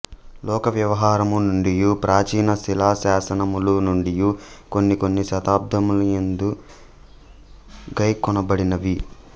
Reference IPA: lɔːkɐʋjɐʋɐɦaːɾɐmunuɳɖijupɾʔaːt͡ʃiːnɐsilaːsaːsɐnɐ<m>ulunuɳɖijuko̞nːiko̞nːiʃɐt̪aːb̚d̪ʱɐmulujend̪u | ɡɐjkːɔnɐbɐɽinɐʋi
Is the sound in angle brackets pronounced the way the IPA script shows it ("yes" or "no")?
yes